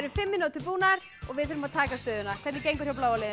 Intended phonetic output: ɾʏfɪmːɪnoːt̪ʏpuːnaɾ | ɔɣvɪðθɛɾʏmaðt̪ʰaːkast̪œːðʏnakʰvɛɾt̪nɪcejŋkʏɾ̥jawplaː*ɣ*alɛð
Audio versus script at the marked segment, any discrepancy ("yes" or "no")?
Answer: yes